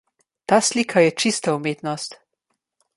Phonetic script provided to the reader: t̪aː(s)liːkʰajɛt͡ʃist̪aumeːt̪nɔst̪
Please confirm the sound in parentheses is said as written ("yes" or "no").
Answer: yes